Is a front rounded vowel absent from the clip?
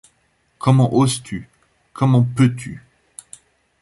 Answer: no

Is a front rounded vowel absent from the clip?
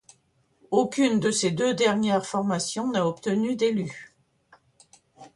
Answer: no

